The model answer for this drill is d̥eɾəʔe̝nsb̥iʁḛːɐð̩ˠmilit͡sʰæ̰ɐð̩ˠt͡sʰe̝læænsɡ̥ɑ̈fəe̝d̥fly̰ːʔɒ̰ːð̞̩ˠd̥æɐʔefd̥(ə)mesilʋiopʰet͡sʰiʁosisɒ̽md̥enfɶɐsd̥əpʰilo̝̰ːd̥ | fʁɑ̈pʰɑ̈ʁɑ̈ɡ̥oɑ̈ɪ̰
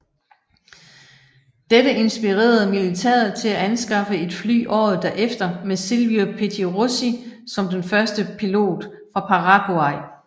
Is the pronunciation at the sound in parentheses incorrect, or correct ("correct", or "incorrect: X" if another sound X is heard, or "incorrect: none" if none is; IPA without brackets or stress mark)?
incorrect: ɐ